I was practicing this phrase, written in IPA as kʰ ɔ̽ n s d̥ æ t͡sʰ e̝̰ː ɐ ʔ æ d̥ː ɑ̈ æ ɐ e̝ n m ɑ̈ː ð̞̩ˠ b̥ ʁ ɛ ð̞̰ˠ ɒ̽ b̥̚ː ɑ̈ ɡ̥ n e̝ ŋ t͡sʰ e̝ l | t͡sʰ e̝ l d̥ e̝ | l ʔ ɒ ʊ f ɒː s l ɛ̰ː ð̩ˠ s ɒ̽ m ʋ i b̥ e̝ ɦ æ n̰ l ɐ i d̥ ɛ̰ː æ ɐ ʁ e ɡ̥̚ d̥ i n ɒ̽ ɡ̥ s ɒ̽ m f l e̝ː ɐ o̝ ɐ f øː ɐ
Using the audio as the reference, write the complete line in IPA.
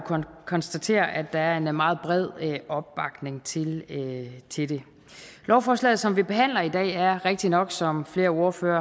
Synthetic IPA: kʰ ɒ̽ n s d̥ æ t͡sʰ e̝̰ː ɐ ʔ æ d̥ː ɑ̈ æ ɐ e̝ n m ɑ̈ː ð̞̩ˠ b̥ ʁ ɛ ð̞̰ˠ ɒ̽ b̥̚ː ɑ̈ ɡ̥ n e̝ ŋ t͡sʰ e̝ l | t͡sʰ e̝ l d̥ e̝ | l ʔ ɒ ʊ f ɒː s l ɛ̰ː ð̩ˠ s ɒ̽ m ʋ i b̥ e̝ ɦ æ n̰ l ɐ i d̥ ɛ̰ː æ ɐ ʁ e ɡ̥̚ d̥ i n ɒ̽ ɡ̥ s ɒ̽ m f l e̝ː ɐ o̝ ɐ f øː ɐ

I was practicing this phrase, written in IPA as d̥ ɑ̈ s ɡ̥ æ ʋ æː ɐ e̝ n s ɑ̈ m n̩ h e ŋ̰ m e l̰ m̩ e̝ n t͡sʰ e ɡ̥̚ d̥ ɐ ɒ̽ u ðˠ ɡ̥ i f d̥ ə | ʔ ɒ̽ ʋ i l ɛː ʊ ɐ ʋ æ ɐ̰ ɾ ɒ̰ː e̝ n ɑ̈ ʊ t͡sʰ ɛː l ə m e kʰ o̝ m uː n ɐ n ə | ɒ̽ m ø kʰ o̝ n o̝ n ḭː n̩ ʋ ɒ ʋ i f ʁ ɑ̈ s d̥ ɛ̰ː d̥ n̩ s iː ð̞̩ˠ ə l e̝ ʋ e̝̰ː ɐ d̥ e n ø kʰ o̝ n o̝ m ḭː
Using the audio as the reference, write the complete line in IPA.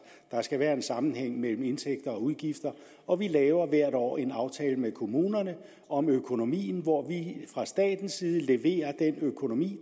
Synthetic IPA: d̥ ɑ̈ s ɡ̥ æ ʋ æː ɐ e̝ n s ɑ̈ m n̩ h e ŋ̰ m e l̰ m̩ e̝ n t͡sʰ e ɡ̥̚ d̥ ɐ ɒ̽ u ðˠ ɡ̥ i f d̥ ɐ | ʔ ɒ̽ ʋ i l ɛː ʊ ɐ ʋ æ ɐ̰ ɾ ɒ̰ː e̝ n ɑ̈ ʊ t͡sʰ ɛː l ə m e kʰ o̝ m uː n ɐ n ə | ɒ̽ m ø kʰ o̝ n o̝ m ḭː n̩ ʋ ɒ ʋ i f ʁ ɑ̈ s d̥ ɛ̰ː d̥ n̩ s iː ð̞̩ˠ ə l e̝ ʋ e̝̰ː ɐ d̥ e n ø kʰ o̝ n o̝ m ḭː

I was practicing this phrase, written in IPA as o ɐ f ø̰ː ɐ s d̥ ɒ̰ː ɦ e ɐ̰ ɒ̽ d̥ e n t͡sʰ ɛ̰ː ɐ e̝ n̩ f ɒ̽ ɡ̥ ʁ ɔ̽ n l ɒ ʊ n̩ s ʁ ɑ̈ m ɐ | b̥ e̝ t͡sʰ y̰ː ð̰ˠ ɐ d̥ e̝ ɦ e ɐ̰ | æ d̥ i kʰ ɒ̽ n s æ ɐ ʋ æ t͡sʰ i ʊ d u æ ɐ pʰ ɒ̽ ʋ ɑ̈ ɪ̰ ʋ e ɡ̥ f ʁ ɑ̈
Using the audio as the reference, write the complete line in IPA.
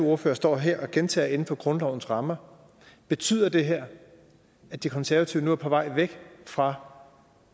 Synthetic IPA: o ɐ f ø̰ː ɐ s d̥ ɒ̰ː ɦ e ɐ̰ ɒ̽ ɡ̥ e n t͡sʰ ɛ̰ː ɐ e̝ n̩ f ɒ̽ ɡ̥ ʁ ɔ̽ n l ɒ ʊ n̩ s ʁ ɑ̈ m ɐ | b̥ e̝ t͡sʰ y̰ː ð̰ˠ ɐ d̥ e̝ ɦ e ɐ̰ | æ d̥ i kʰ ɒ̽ n s æ ɐ ʋ æ t͡sʰ i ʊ n u æ ɐ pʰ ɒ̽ ʋ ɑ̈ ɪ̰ ʋ e ɡ̥ f ʁ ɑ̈

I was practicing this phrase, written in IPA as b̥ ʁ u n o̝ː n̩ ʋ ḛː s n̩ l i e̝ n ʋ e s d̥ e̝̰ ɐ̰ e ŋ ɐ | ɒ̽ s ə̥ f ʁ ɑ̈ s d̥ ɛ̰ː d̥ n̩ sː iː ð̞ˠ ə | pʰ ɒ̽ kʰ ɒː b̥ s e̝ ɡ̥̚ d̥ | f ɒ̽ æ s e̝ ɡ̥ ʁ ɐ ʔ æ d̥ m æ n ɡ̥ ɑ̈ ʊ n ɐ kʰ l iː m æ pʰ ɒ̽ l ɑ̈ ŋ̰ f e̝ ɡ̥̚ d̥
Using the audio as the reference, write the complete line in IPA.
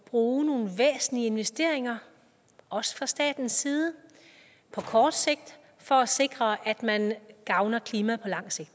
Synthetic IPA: b̥ ʁ uː n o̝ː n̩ ʋ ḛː s n̩ l i e̝ n ʋ e s d̥ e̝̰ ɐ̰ e ŋ ɐ | ɒ̽ s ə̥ f ʁ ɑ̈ s d̥ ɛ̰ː d̥ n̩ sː iː ð̞ˠ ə | pʰ ɒ̽ kʰ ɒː d̥ s e̝ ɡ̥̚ d̥ | f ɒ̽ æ s e̝ ɡ̥ ʁ ɐ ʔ æ d̥ m æ n ɡ̥ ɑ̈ ʊ n ɐ kʰ l iː m æ pʰ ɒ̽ l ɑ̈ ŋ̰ s e̝ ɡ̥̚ d̥

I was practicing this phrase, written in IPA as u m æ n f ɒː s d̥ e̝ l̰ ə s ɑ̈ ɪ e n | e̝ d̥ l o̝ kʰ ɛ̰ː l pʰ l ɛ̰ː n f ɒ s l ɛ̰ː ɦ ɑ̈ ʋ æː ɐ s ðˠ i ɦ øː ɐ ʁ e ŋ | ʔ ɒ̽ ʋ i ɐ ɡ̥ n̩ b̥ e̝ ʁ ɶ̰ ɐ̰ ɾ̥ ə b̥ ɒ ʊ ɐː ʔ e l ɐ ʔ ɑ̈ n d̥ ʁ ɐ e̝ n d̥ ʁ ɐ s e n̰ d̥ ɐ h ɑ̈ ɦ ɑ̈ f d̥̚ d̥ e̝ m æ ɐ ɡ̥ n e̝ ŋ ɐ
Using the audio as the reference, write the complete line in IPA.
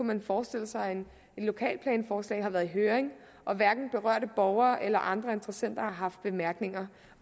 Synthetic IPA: u m æ n f ɒː s d̥ e̝ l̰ ə s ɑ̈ ɪ e n | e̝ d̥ l o̝ kʰ ɛ̰ː l pʰ l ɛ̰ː n f ɒː s l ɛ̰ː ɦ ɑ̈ ʋ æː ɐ ðˠ i ɦ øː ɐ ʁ e ŋ | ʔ ɒ̽ ʋ æ ɐ ɡ̥ n̩ b̥ e̝ ʁ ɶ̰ ɐ̰ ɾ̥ ə b̥ ɒ ʊ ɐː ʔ e l ɐ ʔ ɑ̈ n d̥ ʁ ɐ e̝ n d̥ ʁ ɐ s e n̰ d̥ ɐ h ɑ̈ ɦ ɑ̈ f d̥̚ b̥ e̝ m æ ɐ ɡ̥ n e̝ ŋ ɐ

